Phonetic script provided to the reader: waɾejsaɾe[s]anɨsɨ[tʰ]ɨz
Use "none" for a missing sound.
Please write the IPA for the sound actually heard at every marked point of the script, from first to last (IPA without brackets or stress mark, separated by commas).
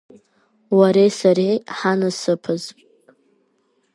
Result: ħ, pʰ